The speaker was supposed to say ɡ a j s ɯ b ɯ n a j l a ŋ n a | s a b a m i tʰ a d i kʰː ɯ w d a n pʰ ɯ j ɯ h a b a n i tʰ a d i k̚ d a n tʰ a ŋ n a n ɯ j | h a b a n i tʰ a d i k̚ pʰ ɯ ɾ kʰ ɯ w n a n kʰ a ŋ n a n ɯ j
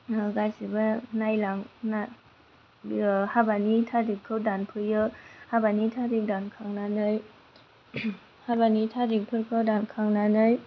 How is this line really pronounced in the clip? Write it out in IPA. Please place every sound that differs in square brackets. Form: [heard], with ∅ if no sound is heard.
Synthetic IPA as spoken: ɡ a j s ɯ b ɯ n a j l a ŋ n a | [h] a b a [n] i tʰ a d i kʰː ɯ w d a n pʰ ɯ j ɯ h a b a n i tʰ a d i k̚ d a n [kʰ] a ŋ n a n ɯ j | h a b a n i tʰ a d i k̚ pʰ ɯ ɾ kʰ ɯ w [d] a n kʰ a ŋ n a n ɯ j